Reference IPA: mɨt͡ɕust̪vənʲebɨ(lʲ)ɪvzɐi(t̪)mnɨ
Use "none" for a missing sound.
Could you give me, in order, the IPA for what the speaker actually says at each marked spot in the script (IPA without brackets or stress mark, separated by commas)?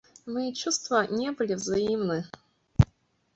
lʲ, none